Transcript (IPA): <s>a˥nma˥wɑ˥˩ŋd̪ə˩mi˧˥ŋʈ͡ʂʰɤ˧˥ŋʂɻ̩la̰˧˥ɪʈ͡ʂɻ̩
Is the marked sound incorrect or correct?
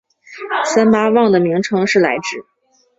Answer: correct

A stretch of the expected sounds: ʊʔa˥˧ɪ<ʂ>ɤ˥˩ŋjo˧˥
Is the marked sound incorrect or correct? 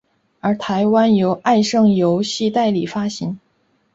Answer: correct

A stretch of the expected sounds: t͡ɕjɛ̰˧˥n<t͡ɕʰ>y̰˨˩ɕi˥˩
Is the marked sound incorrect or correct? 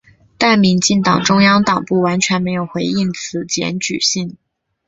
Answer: incorrect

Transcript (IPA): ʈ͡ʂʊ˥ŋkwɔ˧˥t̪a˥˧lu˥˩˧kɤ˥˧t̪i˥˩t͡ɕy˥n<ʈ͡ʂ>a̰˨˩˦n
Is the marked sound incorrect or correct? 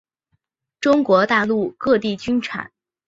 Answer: incorrect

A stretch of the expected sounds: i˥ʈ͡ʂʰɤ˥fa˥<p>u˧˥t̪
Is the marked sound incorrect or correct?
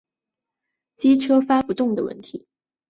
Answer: correct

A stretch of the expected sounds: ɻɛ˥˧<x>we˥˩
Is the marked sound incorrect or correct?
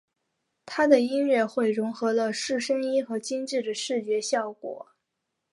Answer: correct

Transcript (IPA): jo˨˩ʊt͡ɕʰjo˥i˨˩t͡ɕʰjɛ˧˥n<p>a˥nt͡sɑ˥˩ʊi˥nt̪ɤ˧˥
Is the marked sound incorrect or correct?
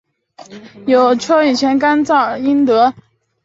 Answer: incorrect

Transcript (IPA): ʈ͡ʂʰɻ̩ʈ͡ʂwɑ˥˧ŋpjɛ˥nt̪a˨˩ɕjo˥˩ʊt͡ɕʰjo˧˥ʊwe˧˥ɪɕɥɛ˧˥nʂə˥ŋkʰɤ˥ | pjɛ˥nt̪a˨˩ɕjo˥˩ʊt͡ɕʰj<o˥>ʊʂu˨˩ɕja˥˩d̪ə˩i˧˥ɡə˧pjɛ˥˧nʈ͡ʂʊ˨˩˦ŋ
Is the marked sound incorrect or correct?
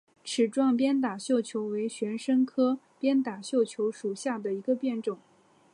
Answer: incorrect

